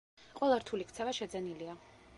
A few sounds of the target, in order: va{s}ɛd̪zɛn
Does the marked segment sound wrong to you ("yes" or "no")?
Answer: yes